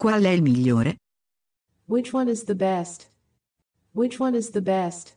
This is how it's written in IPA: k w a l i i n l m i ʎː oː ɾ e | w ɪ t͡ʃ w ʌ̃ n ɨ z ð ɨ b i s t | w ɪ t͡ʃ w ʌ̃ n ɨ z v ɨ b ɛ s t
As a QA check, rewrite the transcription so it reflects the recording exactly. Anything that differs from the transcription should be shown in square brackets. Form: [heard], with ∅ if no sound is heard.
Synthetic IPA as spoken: k w a l [ɛ] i [∅] l m i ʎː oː ɾ e | w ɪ t͡ʃ w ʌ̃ n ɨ z ð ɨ b [ɛ] s t | w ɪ t͡ʃ w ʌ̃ n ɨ z [ð] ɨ b ɛ s t

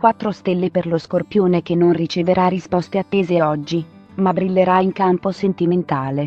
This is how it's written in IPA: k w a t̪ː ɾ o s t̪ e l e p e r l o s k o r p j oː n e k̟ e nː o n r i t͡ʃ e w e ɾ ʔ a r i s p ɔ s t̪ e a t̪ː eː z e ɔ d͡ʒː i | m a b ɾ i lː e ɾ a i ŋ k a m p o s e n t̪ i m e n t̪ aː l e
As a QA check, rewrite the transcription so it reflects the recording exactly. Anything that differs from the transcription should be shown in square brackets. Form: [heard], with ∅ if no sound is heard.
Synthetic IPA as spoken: k w a t̪ː ɾ o s t̪ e [lː] e p e r l o s k o r p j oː n e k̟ e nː o n r i t͡ʃ e [v] e ɾ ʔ a r i s p ɔ s t̪ e a t̪ː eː z e ɔ d͡ʒː i | m a b ɾ i lː e ɾ a i ŋ k a m p o s e n t̪ i m e n t̪ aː l e

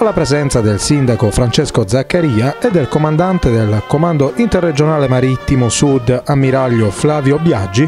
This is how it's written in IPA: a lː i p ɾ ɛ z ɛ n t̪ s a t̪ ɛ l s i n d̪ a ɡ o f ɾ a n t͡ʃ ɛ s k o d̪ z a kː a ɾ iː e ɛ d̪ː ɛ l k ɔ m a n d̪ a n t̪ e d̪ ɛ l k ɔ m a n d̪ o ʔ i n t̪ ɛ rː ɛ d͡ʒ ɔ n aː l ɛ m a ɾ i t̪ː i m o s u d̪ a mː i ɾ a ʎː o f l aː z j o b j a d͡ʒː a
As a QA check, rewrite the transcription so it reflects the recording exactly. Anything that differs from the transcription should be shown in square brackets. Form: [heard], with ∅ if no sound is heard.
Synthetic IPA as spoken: a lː [a] p ɾ ɛ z ɛ n t̪ s a [d̪] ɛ l s i n d̪ a [k] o f ɾ a n t͡ʃ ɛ s k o d̪ z a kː a ɾ iː [a] ɛ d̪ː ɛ l k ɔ m a n d̪ a n t̪ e d̪ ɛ l k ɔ m a n d̪ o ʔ i n t̪ ɛ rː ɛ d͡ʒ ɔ n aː l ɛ m a ɾ i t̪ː i m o s u d̪ a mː i ɾ a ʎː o f l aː [v] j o b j a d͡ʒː [i]

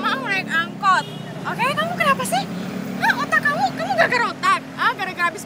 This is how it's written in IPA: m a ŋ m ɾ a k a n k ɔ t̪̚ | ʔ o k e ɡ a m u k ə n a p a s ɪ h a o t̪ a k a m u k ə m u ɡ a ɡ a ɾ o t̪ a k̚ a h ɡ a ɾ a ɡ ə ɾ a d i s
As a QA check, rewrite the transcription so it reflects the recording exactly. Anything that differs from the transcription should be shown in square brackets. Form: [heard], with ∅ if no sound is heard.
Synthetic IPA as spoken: m a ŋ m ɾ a k a [ŋ] k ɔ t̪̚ | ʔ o k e [k] a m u k ə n a p a s ɪ h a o t̪ a k a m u k [a] m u ɡ a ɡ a ɾ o t̪ a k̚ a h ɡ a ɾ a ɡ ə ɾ a [b] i s

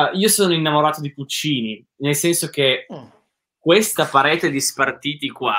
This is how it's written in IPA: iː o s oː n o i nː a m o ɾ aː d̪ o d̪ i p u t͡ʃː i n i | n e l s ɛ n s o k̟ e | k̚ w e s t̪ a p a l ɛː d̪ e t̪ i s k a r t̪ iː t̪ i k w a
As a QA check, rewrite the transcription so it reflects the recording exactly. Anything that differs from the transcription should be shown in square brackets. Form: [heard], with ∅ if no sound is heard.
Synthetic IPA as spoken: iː o s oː n o i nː a m o ɾ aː [t̪] o d̪ i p u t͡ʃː [iː] n i | n e l s ɛ n s o k̟ e | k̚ w e s t̪ a p a [ɾ] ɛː [t̪] e [d̪] i s [p] a r t̪ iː t̪ i k w a

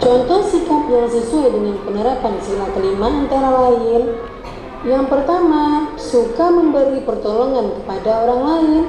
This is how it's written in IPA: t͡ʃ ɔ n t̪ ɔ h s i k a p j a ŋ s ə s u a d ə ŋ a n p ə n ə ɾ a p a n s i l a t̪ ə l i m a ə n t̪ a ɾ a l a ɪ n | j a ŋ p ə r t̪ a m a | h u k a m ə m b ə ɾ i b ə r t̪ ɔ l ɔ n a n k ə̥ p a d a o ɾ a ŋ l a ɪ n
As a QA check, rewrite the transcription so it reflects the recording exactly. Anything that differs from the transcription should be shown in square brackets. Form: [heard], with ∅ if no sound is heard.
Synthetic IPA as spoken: t͡ʃ ɔ n t̪ ɔ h s i k a p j a ŋ s ə s u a d ə ŋ a n p ə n ə ɾ a p a n s i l a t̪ ə l i m a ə n t̪ a ɾ a l a ɪ n | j a ŋ p ə r t̪ a m a | [s] u k a m ə m b ə ɾ i [p] ə r t̪ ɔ l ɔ [ŋ] a n k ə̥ p a d a o ɾ a ŋ l a ɪ n

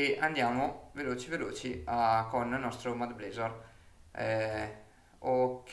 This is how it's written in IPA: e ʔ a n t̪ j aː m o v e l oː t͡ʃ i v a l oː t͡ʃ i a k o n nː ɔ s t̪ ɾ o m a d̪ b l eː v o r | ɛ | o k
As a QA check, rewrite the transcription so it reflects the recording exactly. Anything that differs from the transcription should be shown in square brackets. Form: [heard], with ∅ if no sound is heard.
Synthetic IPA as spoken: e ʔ a n [d̪] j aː m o v e l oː t͡ʃ i v [e] l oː t͡ʃ i a k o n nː ɔ s t̪ ɾ o m a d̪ b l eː [z] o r | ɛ | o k

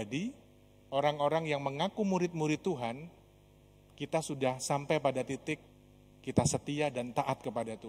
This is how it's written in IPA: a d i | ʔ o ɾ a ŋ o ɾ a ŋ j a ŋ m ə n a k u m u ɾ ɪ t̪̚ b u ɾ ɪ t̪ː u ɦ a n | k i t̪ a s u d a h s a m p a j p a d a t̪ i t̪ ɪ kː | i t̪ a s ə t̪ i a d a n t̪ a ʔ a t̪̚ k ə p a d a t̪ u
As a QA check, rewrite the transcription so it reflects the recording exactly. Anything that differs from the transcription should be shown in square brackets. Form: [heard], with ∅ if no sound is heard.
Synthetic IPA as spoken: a d i | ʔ o ɾ a ŋ o ɾ a ŋ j a ŋ m ə [ŋ] a k u m u ɾ ɪ t̪̚ [m] u ɾ ɪ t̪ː u ɦ a n | k i t̪ a s u d a h s a m p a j p a d a t̪ i t̪ ɪ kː | i t̪ a s ə t̪ i a d a n t̪ a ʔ a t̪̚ k ə p a d a t̪ u

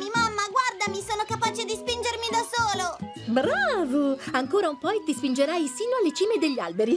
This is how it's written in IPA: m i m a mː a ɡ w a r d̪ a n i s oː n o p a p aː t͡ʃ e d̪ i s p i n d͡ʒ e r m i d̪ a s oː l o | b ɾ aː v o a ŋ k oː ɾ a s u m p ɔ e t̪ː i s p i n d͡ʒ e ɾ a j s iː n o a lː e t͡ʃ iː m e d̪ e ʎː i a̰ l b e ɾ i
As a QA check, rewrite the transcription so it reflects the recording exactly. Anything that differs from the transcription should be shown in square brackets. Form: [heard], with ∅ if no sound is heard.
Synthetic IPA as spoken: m i m a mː a ɡ w a r d̪ a [m] i s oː n o [k] a p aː t͡ʃ e d̪ i s p i n d͡ʒ e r m i d̪ a s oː l o | b ɾ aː v o a ŋ k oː ɾ a [∅] u m p ɔ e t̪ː i s p i n d͡ʒ e ɾ a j s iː n o a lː e t͡ʃ iː m e d̪ e ʎː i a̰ l b e ɾ i

